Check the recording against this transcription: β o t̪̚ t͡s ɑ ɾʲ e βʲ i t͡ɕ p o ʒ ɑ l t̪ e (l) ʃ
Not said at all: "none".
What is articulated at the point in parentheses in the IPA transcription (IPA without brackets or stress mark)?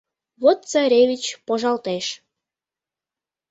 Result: none